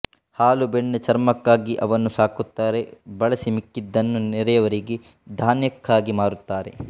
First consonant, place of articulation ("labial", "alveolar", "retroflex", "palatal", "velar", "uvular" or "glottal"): glottal